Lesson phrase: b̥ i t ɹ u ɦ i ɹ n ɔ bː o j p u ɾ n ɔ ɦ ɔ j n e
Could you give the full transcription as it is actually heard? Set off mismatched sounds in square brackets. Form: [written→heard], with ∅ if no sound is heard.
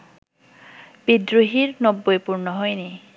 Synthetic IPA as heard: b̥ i [t→d] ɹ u ɦ i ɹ n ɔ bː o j p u [ɾ→ɹ] n ɔ ɦ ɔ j n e